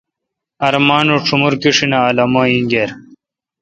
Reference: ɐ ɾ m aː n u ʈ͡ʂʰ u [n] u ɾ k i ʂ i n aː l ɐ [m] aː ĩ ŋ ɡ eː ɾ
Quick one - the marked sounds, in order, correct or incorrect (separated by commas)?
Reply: incorrect, correct